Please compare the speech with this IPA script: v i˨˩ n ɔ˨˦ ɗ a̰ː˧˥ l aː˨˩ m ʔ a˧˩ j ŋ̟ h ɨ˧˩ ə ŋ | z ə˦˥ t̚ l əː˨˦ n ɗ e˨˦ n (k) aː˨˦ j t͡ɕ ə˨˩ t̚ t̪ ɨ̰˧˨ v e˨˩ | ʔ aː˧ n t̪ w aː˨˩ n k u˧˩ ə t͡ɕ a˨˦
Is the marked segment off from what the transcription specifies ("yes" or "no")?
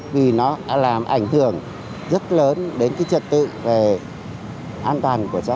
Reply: no